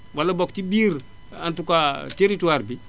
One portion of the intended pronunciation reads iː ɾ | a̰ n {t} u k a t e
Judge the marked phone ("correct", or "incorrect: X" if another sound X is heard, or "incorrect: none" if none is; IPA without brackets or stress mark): correct